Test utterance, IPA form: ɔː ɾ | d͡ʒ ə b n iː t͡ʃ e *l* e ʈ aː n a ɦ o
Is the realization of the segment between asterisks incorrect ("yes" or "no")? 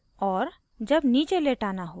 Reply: no